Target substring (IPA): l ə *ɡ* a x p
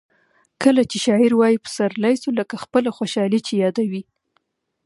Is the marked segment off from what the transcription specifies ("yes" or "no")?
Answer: yes